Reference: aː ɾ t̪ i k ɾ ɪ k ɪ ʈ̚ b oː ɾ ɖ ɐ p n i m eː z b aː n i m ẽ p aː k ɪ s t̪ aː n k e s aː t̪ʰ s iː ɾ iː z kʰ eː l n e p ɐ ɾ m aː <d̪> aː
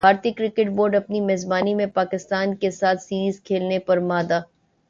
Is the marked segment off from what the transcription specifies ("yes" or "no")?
no